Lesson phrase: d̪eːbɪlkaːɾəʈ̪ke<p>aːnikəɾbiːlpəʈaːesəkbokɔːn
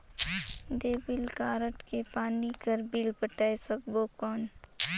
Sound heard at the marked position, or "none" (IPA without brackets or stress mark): p